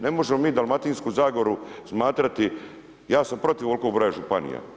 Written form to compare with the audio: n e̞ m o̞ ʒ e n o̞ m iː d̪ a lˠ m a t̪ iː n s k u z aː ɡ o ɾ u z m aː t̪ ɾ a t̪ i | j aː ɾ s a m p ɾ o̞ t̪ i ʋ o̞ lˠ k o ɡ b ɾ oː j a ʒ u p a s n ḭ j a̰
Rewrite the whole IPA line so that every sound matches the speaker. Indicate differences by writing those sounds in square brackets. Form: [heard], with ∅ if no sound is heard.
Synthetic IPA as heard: n e̞ m o̞ ʒ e [m] o̞ m iː d̪ a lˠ m a t̪ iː n s k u z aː ɡ o ɾ u [s] m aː t̪ ɾ a t̪ i | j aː [∅] s a m p ɾ o̞ t̪ i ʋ o̞ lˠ k o ɡ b ɾ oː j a ʒ u p a [∅] n ḭ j a̰